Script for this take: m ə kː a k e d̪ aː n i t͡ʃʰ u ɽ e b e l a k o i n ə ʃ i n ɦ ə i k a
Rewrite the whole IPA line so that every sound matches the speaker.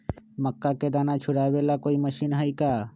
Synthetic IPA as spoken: m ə kː a k e d̪ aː n a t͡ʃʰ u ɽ a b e l a k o i m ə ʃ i n ɦ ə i k a